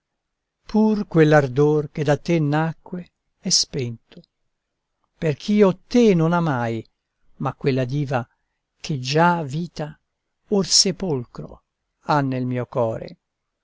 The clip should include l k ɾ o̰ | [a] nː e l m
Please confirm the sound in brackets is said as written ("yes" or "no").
yes